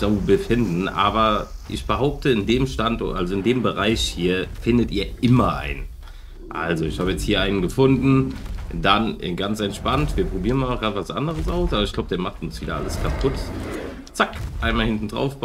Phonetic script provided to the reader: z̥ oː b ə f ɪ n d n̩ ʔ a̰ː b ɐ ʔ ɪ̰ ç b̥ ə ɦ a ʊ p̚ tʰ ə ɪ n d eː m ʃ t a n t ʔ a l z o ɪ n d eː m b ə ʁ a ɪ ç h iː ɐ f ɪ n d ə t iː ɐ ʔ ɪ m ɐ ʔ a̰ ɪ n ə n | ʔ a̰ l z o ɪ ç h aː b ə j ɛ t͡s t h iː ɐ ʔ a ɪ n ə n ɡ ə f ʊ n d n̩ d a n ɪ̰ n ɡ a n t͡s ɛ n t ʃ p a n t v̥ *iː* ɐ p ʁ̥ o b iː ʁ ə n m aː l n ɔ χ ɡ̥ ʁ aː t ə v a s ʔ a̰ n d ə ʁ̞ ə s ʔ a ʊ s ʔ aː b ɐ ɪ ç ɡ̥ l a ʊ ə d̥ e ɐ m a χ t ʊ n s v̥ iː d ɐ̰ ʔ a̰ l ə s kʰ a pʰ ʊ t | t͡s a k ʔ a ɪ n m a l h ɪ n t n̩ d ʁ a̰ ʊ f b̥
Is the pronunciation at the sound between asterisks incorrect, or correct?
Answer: correct